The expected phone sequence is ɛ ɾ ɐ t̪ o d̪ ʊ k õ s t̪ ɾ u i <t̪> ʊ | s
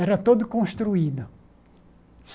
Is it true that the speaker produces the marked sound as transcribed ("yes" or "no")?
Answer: no